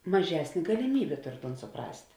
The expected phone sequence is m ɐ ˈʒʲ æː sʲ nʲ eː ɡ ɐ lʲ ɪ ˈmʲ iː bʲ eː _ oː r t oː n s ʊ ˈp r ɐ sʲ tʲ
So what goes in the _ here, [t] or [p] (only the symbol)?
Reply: t